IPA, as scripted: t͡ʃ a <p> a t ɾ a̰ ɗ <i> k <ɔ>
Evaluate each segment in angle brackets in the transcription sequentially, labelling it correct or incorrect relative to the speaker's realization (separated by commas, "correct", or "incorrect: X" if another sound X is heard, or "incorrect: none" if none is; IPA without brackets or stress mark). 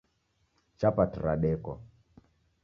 correct, incorrect: ɛ, correct